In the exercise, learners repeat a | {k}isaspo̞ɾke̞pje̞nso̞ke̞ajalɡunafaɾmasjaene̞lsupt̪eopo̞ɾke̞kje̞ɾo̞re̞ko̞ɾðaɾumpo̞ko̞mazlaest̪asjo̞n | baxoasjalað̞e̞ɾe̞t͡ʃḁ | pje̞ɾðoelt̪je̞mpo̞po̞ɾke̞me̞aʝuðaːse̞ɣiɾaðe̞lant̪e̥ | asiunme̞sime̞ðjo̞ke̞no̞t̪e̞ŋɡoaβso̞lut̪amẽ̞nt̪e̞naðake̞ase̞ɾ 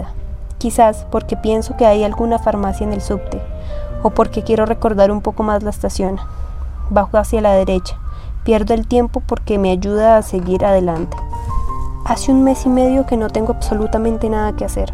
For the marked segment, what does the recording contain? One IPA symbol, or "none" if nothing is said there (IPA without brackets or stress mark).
k